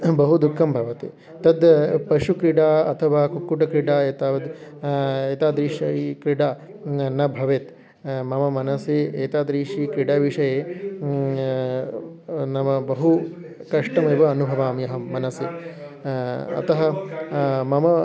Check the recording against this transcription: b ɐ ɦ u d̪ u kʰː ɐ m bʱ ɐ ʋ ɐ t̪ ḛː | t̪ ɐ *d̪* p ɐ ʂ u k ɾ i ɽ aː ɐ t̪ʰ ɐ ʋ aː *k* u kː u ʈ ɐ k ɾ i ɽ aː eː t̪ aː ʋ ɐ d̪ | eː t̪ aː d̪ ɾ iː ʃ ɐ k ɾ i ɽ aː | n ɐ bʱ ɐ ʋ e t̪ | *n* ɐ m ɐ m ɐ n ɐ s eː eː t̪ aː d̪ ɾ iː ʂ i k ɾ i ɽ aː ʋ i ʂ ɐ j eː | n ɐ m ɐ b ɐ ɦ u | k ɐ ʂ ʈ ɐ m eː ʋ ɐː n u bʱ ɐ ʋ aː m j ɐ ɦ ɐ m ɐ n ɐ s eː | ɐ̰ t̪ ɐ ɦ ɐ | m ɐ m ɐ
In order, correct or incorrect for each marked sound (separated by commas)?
correct, correct, incorrect